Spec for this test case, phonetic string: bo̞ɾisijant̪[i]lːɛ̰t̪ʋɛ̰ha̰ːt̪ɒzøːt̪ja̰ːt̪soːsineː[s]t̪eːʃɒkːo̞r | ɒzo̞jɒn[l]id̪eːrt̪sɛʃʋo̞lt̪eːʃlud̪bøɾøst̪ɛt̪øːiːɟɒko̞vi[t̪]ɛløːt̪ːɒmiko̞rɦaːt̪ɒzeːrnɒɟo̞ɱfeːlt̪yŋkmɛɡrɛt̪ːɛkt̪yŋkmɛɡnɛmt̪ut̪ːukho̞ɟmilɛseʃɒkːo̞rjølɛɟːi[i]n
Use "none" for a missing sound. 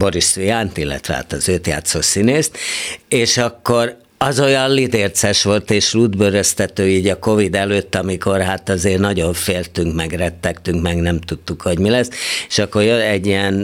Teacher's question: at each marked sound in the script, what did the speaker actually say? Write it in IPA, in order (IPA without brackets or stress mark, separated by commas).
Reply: i, s, l, d̪, ɛ